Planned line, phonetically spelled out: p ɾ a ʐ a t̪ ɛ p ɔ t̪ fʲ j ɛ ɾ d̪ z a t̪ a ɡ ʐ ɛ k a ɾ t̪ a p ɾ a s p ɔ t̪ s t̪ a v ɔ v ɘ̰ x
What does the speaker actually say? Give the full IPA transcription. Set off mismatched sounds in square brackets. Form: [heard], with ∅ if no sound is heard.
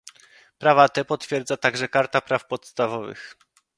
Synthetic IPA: p ɾ a [v] a t̪ ɛ p ɔ t̪ fʲ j ɛ ɾ d̪ z a t̪ a ɡ ʐ ɛ k a ɾ t̪ a p ɾ a [f] p ɔ t̪ s t̪ a v ɔ v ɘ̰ x